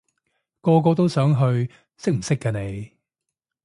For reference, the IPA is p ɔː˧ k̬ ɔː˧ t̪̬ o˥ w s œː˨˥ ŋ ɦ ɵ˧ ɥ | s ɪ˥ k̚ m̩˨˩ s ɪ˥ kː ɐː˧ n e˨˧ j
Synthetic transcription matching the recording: k ɔː˧ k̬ ɔː˧ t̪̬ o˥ w s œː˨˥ ŋ ɦ ɵ˧ ɥ | s ɪ˥ k̚ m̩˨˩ s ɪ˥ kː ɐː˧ n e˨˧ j